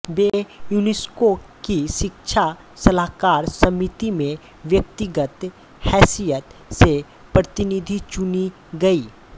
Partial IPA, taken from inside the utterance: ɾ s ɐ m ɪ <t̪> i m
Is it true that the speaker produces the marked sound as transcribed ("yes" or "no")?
yes